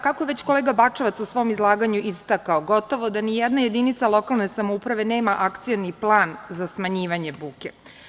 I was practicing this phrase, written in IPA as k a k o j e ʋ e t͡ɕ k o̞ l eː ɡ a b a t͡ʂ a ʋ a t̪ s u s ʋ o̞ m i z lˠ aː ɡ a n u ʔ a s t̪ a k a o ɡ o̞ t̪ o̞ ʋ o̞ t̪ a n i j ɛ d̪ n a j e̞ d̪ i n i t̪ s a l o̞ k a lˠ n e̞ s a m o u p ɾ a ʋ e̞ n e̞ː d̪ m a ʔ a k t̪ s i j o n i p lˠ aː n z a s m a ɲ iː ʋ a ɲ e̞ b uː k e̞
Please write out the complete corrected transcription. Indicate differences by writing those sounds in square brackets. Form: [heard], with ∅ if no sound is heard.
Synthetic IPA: k a k o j e ʋ e t͡ɕ k o̞ l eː ɡ a b a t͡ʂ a ʋ a t̪ s u s ʋ o̞ m i z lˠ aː ɡ a [ɲ] u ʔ [i] s t̪ a k a o ɡ o̞ t̪ o̞ ʋ o̞ [d̪] a n i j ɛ d̪ n a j e̞ d̪ i n i t̪ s a l o̞ k a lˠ n e̞ s a m o u p ɾ a ʋ e̞ n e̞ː [∅] m a ʔ a k t̪ s i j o n i p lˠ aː n z a s m a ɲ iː ʋ a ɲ e̞ b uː k e̞

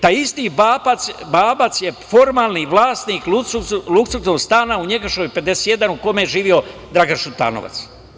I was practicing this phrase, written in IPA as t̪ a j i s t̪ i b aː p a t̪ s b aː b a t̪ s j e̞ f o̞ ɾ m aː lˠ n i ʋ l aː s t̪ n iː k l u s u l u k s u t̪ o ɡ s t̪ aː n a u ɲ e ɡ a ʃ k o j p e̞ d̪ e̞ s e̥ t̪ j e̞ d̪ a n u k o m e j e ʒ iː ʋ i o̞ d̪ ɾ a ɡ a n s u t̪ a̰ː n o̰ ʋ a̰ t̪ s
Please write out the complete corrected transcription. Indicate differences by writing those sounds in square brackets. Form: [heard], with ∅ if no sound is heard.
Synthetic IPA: t̪ a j i s t̪ i b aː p a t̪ s b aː b a t̪ s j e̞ f o̞ ɾ m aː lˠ n i ʋ l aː s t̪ n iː k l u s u l u k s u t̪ o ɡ s t̪ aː n a u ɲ e ɡ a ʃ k o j p e̞ d̪ e̞ s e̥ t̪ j e̞ d̪ a n u k o m e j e ʒ iː ʋ i o̞ d̪ ɾ a ɡ a n [ʃ] u t̪ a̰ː n o̰ ʋ a̰ t̪ s

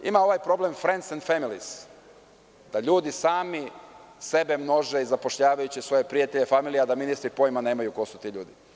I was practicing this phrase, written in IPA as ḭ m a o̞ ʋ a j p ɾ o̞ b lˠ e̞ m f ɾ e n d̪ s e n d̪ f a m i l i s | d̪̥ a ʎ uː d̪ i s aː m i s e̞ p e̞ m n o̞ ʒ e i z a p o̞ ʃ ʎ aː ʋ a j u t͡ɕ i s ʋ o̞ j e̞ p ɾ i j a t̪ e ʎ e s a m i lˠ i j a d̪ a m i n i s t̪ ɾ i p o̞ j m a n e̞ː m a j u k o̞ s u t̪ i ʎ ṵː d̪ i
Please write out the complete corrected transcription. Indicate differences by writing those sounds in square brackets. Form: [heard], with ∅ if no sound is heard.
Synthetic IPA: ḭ m a o̞ ʋ a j p ɾ o̞ b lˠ e̞ m f ɾ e n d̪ s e n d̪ f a m i l i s | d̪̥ a ʎ uː d̪ i s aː m i s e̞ [b] e̞ m n o̞ ʒ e i z a p o̞ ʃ ʎ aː ʋ a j u t͡ɕ i s ʋ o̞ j e̞ p ɾ i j a t̪ e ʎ e [f] a m i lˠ i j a d̪ a m i n i s t̪ ɾ i p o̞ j m a n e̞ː m a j u k o̞ s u t̪ i ʎ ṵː d̪ i

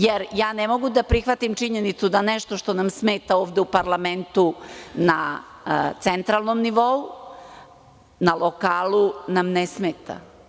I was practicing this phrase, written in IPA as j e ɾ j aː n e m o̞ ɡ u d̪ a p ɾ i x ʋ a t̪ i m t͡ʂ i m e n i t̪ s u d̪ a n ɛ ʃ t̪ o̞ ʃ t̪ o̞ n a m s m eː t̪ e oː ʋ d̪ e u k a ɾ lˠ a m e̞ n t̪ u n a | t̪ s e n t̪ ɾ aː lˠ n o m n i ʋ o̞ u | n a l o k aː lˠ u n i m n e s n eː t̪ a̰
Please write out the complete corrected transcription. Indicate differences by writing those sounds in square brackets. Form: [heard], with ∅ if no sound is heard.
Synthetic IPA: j e ɾ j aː n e m o̞ ɡ u d̪ a p ɾ i x ʋ a t̪ i m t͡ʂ i [ɲ] e n i t̪ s u d̪ a n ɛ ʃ t̪ o̞ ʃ t̪ o̞ n a m s m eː t̪ [a] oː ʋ d̪ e u [p] a ɾ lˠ a m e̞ n t̪ u n a | t̪ s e n t̪ ɾ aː lˠ n o m n i ʋ o̞ u | n a l o k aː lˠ u n [a] m n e s [m] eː t̪ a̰

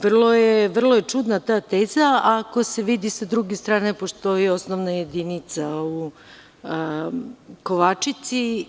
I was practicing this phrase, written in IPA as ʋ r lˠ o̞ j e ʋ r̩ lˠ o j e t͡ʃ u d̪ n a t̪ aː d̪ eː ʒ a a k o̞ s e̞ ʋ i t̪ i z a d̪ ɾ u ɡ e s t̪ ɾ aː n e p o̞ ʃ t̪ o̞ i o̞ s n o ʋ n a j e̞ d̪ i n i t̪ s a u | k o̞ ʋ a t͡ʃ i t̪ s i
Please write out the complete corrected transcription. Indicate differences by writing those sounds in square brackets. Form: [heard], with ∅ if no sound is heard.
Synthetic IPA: ʋ r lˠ o̞ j e ʋ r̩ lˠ o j e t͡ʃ u d̪ n a t̪ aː [t̪] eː [z] a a k o̞ s e̞ ʋ i [d̪] i [s] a d̪ ɾ u ɡ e s t̪ ɾ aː n e p o̞ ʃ t̪ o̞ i o̞ s n o ʋ n a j e̞ d̪ i n i t̪ s a u | k o̞ ʋ a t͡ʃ i t̪ s i

